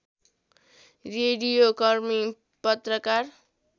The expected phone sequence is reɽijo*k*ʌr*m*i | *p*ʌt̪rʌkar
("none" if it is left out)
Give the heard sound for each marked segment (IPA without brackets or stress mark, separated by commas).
k, m, p